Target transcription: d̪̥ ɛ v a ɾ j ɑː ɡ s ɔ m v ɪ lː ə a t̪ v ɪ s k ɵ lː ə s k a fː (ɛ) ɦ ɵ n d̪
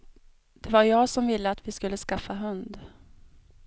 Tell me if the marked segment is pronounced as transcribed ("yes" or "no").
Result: no